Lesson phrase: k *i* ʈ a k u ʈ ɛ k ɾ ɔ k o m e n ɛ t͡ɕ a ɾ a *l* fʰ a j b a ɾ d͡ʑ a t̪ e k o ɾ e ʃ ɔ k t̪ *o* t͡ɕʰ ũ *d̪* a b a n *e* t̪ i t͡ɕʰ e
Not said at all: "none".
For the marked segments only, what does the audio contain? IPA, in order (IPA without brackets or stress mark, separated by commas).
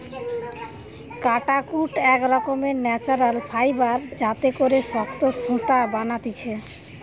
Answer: a, l, o, t̪, a